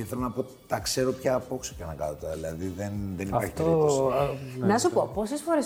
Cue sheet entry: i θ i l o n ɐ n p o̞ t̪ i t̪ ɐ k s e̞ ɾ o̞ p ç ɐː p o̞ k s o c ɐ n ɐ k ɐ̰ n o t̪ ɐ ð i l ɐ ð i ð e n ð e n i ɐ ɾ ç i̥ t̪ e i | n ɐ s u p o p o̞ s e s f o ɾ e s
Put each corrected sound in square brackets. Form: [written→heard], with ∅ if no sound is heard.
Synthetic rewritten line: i θ [i→e] l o n ɐ [n→∅] p o̞ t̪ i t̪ ɐ k s e̞ ɾ o̞ p ç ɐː p o̞ k s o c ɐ n ɐ k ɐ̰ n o t̪ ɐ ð i l ɐ ð i ð e n ð e n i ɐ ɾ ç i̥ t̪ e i | n ɐ s u p o p o̞ s e s f o ɾ e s